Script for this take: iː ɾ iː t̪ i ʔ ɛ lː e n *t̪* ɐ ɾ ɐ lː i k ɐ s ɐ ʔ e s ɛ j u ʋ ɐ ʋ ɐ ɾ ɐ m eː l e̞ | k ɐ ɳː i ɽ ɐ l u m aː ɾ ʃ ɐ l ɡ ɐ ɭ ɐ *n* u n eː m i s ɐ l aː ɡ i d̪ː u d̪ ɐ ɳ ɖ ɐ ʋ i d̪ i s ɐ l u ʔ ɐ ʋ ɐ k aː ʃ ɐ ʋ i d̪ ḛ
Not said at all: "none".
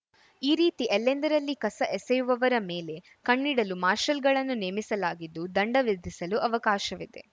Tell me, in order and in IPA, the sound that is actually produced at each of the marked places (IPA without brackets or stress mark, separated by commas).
d̪, nː